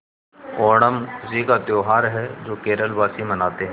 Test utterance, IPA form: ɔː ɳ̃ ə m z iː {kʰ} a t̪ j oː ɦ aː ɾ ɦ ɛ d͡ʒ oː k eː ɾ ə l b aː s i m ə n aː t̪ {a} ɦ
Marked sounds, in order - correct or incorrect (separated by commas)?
incorrect, incorrect